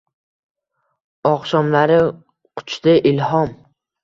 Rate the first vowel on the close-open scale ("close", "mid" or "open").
open